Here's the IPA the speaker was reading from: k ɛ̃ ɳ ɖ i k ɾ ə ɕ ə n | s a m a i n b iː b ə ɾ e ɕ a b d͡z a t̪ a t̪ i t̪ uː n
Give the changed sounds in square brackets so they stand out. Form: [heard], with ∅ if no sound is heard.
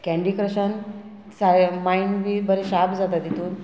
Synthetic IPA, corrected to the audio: k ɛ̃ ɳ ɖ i k ɾ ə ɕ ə n | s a m a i n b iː b ə ɾ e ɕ a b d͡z a t̪ a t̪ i t̪ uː n